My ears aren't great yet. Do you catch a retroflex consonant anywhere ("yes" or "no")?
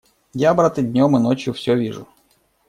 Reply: yes